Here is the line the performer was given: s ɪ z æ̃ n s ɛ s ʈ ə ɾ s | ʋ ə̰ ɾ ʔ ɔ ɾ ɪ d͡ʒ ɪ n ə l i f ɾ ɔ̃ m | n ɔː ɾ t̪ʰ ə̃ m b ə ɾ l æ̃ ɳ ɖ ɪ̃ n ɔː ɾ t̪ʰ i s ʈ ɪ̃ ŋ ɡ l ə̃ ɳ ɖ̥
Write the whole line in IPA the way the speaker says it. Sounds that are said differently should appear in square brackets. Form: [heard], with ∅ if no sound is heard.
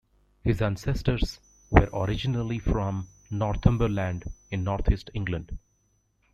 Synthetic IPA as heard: [h] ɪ z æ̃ n s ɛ s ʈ ə ɾ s | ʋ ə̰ ɾ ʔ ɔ ɾ ɪ d͡ʒ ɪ n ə l i f ɾ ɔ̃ m | n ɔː ɾ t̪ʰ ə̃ m b ə ɾ l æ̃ ɳ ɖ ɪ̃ [nː] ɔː ɾ t̪ʰ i s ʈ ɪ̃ ŋ ɡ l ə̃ ɳ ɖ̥